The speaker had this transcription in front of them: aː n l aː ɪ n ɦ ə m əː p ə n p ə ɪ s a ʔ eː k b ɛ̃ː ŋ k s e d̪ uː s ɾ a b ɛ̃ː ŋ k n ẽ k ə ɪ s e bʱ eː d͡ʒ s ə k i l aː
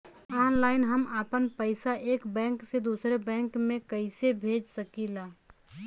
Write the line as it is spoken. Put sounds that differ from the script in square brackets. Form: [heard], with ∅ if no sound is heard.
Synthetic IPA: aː n l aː ɪ n ɦ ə m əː p ə n p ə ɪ s a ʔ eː k b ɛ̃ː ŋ k s e d̪ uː s ɾ [e] b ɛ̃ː ŋ k [m] ẽ k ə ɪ s e bʱ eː d͡ʒ s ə k i l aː